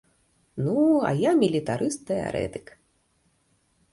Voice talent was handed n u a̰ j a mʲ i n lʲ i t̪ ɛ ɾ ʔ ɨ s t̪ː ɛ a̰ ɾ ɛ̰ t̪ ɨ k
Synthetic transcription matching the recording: n u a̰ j a mʲ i lʲ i t̪ a ɾ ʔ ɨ s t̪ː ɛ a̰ ɾ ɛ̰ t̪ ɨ k

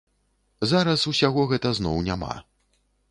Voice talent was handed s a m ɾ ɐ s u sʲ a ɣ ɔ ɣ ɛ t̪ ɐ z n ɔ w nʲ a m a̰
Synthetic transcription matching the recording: z a ɾ ɐ s u sʲ a ɣ ɔ ɣ ɛ t̪ ɐ z n ɔ w nʲ a m a̰

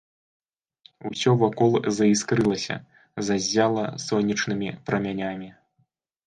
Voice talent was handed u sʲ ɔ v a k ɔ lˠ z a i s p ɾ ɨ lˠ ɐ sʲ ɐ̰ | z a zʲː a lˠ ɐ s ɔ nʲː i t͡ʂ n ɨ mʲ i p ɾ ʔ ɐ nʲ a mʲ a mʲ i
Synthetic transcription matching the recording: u sʲ ɔ v a k ɔ lˠ z ɐ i s k ɾ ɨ lˠ ɐ sʲ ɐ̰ | z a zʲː a lˠ ɐ s ɔ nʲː i t͡ʂ n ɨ mʲ i p ɾ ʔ ɐ mʲ a nʲ a mʲ i

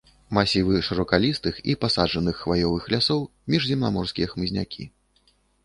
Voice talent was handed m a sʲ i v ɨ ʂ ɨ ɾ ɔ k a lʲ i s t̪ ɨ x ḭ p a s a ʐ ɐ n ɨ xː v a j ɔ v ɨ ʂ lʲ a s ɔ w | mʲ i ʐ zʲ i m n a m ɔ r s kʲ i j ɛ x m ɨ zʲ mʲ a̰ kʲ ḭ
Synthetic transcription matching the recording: m a sʲ i v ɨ ʂ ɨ ɾ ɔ k a lʲ i s t̪ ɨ x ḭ p a s a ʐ ɐ n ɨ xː v a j ɔ v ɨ x lʲ a s ɔ w | mʲ i ʐ zʲ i m n a m ɔ r s kʲ i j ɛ x m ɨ zʲ nʲ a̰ kʲ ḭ

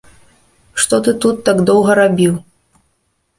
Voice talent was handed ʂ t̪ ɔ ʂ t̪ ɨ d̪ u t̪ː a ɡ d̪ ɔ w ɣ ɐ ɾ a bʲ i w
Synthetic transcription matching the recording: ʂ t̪ ɔ t̪ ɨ t̪ u t̪ː a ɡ d̪ ɔ w ɣ ɐ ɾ a bʲ i w

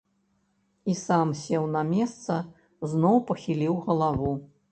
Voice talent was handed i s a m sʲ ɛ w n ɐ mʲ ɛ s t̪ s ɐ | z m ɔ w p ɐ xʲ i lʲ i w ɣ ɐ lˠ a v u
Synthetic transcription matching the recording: i s a m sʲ ɛ w n ɐ mʲ ɛ s t̪ s ɐ | z n ɔ w p ɐ xʲ i lʲ i w ɣ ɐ lˠ a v u

